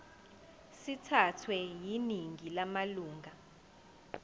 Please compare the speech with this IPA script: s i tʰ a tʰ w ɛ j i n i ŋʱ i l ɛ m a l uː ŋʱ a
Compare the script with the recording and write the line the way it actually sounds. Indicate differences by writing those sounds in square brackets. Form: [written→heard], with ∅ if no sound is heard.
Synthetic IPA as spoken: s i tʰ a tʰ w ɛ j i n i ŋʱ i l [ɛ→a] m a l uː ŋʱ a